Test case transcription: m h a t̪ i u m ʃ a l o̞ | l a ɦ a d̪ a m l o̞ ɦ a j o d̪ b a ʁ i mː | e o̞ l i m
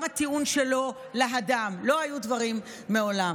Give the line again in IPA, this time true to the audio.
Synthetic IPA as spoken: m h a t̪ i u n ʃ e l o̞ | l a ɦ a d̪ a m l o̞ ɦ a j u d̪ v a ʁ i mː | e o̞ l a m